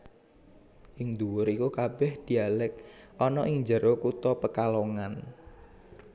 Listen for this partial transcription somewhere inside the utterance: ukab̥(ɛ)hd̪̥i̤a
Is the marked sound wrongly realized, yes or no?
no